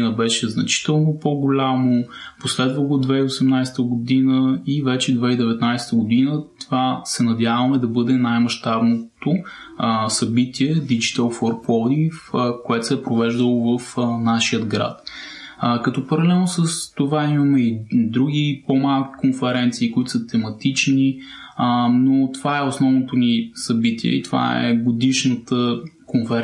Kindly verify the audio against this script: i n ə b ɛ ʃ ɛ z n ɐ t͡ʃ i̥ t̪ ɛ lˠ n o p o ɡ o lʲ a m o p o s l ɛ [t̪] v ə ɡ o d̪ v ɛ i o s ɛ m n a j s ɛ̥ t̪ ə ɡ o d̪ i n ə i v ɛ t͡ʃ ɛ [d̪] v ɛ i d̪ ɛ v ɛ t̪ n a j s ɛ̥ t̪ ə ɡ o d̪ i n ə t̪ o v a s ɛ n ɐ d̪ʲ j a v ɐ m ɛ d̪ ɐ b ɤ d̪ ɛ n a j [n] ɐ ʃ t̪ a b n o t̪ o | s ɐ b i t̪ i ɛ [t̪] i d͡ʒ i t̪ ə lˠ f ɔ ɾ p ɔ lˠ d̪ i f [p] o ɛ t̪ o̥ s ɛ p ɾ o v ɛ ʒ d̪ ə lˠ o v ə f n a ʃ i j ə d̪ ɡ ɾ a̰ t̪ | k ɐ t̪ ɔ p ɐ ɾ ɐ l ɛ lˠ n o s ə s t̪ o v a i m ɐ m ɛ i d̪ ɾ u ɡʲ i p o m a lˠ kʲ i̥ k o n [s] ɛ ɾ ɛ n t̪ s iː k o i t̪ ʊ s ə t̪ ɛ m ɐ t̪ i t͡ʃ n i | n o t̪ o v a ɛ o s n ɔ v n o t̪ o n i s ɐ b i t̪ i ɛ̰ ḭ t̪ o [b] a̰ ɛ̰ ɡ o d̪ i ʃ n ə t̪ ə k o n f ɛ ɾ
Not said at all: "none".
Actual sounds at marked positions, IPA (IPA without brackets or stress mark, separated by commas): d̪, d̪, m, d̪, k, f, v